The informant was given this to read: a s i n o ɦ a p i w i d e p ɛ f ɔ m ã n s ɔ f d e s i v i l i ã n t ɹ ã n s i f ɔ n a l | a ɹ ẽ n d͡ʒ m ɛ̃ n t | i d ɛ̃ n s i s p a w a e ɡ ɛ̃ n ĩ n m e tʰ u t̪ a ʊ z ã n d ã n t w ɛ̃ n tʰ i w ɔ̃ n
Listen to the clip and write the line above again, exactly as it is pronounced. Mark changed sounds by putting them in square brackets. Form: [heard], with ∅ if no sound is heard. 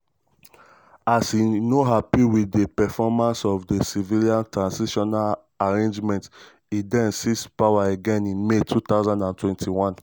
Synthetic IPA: a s i n o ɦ a p i w i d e p ɛ f ɔ m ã n s ɔ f d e s i v i l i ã n t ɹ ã n s i [ʃ] ɔ n a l | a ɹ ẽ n d͡ʒ m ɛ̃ n t | i d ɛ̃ n s i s p a w a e ɡ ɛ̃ n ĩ n m e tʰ u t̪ a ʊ z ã n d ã n t w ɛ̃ n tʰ i w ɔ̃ n